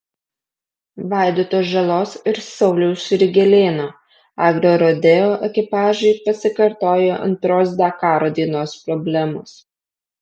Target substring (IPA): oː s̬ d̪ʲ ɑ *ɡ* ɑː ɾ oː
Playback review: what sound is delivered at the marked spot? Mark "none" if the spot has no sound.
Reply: k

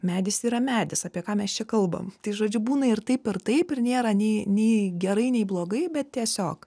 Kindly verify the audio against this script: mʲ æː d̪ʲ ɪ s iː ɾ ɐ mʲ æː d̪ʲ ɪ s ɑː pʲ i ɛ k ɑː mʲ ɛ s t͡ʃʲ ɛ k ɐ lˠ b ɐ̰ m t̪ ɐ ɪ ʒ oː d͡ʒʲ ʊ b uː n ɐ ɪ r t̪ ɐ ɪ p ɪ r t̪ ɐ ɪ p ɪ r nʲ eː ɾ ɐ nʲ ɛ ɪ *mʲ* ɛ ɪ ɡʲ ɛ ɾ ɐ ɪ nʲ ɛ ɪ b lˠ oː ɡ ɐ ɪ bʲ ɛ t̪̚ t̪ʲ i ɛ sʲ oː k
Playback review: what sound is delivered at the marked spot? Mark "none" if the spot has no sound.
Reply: nʲ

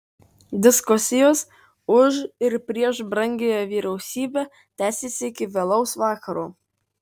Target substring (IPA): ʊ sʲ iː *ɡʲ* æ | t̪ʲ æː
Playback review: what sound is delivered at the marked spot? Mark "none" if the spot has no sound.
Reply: bʲ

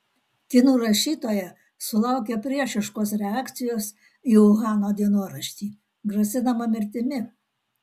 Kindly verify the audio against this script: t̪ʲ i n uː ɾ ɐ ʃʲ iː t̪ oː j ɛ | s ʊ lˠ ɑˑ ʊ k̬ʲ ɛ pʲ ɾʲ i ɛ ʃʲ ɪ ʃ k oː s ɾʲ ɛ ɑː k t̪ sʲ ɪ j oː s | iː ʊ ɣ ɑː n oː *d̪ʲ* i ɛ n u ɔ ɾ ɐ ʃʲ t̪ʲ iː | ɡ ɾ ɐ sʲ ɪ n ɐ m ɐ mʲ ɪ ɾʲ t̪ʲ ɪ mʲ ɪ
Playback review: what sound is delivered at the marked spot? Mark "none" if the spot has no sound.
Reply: d̪ʲ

